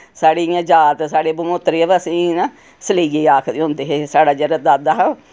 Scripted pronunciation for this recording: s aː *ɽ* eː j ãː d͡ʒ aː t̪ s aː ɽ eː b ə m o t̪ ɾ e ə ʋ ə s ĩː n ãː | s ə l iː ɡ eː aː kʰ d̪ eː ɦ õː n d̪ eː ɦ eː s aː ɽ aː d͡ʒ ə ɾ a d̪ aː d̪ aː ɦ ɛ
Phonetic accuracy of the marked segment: correct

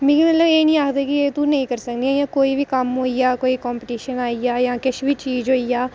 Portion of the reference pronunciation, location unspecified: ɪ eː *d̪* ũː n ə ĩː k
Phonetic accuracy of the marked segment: incorrect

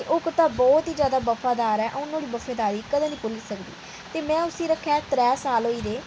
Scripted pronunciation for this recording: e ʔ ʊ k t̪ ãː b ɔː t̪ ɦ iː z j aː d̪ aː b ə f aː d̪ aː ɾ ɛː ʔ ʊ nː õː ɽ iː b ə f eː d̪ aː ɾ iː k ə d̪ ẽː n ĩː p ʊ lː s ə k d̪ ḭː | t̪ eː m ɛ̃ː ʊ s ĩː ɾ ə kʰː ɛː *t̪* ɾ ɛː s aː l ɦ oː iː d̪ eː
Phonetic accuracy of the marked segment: correct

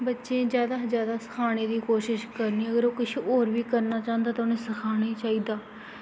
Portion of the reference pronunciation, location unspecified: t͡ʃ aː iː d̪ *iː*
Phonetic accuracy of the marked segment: incorrect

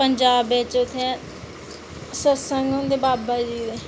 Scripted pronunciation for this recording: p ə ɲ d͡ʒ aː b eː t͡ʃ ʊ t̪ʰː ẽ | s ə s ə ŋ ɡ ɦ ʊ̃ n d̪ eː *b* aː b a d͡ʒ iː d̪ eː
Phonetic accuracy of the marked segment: correct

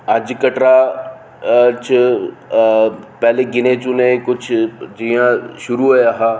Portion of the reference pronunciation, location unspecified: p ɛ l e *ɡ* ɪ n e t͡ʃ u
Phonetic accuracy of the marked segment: correct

